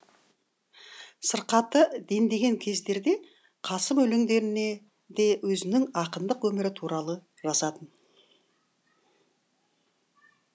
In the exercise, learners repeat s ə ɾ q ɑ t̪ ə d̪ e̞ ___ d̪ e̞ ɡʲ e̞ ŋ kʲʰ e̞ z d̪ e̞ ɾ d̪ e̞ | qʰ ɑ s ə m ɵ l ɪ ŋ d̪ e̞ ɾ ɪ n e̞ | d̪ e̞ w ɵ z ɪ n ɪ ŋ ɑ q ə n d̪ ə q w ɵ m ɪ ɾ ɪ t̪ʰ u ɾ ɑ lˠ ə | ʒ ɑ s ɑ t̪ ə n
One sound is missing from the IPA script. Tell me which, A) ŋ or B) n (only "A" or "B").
B